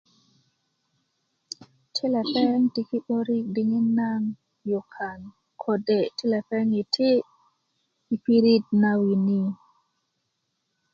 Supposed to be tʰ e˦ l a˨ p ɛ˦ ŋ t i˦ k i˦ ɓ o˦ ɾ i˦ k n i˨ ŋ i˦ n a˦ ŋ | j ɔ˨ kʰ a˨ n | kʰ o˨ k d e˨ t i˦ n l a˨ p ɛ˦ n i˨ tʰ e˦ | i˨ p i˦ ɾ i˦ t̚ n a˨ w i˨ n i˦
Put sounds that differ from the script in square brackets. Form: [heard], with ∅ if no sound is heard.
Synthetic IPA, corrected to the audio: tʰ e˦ l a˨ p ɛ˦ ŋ t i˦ k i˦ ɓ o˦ ɾ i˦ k [d] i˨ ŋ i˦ n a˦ ŋ | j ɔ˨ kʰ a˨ n | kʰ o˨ [∅] d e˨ t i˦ [∅] l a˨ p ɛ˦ [ŋ] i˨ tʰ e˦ | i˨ p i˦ ɾ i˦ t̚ n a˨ w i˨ n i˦